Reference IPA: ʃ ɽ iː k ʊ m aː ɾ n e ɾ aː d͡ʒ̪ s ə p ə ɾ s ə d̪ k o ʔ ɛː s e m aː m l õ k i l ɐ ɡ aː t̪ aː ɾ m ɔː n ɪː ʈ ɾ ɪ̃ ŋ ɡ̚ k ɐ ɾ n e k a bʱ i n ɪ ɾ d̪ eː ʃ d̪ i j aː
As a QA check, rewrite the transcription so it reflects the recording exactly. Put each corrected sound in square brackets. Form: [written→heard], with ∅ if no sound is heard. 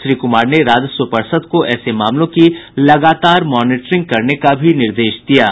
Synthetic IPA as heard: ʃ [ɽ→ɾ] iː k ʊ m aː ɾ n e ɾ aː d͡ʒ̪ s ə p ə ɾ s ə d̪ k o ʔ ɛː s e m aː m l õ k i l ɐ ɡ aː t̪ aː ɾ m ɔː n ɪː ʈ ɾ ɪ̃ ŋ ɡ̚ k ɐ ɾ n e k a bʱ i n ɪ ɾ d̪ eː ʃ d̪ i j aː